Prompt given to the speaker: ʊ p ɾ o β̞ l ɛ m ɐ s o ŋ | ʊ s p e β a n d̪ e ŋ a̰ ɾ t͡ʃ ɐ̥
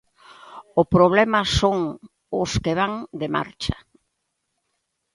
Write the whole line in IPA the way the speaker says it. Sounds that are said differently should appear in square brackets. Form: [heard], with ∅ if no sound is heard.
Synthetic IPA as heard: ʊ p ɾ o β̞ l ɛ m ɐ s o ŋ | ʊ s [k] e β a [ŋ] d̪ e [m] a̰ ɾ t͡ʃ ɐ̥

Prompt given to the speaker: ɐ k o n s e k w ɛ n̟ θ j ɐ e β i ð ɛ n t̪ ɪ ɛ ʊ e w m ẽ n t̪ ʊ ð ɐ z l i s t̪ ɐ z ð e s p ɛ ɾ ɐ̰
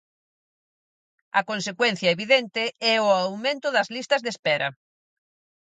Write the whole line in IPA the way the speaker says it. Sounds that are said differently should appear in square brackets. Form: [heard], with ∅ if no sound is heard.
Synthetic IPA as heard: ɐ k o n s e k w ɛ n̟ θ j ɐ e β i ð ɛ n t̪ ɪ ɛ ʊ [a] w m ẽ n t̪ ʊ ð ɐ z l i s t̪ ɐ z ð e s p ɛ ɾ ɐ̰

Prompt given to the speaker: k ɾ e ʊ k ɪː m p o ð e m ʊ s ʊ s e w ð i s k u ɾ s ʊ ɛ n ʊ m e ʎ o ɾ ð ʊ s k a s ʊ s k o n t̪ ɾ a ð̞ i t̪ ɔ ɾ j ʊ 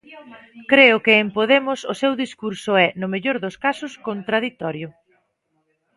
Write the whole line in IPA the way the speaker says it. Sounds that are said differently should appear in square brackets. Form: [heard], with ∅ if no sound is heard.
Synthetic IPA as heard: k ɾ e ʊ k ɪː m p o ð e m ʊ s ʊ s e w ð i s k u ɾ s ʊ ɛ n ʊ m e ʎ o ɾ ð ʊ s k a s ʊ s k o n t̪ ɾ a ð̞ i t̪ ɔ ɾ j ʊ

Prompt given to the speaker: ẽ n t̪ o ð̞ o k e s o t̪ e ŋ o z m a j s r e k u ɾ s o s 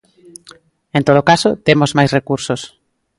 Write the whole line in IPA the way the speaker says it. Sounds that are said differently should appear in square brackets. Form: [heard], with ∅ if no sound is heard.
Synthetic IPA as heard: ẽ n t̪ o ð̞ o k [a] s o t̪ e [m] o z m a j s r e k u ɾ s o s

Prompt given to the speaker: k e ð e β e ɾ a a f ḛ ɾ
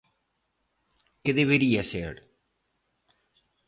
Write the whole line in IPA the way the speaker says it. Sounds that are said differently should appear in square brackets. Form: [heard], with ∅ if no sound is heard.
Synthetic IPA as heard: k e ð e β e ɾ [i] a [s] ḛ ɾ

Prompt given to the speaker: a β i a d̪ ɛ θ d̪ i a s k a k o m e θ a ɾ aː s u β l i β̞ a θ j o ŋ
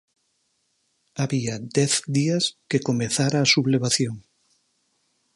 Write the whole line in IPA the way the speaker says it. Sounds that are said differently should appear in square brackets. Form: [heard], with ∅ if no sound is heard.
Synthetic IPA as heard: a β i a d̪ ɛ θ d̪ i a s k [e] k o m e θ a ɾ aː s u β l [e] β̞ a θ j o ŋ

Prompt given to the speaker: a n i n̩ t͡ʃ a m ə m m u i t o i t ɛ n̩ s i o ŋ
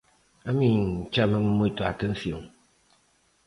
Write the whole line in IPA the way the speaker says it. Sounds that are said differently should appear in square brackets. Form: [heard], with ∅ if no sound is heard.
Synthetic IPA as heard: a [m] i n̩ t͡ʃ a m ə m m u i t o [a] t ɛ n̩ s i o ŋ

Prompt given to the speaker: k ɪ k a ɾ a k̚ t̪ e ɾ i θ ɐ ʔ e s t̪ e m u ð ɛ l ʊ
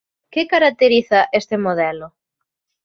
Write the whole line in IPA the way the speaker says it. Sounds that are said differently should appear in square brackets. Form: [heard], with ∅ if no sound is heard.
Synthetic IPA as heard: k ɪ k a ɾ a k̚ t̪ e ɾ i θ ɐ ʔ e s t̪ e m [o] ð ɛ l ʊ

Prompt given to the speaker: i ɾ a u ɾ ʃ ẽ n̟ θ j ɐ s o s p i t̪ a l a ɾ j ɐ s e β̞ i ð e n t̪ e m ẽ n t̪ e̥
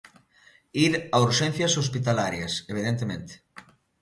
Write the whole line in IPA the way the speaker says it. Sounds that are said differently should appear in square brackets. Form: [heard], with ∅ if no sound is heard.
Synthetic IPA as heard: i ɾ a u ɾ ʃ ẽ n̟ θ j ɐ s o s p i t̪ a l a ɾ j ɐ s e β̞ i ð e n t̪ e m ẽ n t̪ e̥

